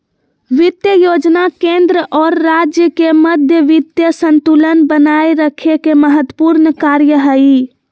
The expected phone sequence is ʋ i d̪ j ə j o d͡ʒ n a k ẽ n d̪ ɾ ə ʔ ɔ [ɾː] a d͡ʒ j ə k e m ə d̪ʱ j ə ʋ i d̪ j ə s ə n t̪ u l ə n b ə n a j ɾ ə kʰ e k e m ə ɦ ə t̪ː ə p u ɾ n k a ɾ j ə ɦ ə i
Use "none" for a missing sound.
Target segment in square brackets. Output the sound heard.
ɾː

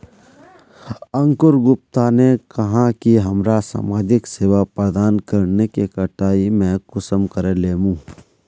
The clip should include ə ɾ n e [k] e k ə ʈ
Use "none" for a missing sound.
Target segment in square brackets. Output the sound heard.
k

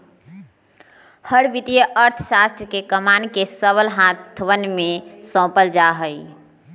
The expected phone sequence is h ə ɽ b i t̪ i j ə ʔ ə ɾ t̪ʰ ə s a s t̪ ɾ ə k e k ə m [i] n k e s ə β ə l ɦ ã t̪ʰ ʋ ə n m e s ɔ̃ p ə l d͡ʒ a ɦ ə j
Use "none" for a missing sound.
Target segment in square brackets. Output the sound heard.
a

